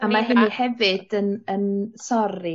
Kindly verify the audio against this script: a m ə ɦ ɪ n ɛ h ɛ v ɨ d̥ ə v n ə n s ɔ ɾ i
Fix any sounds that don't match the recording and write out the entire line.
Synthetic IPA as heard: a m a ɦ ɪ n i h ɛ v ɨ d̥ ə n ə n s ɔ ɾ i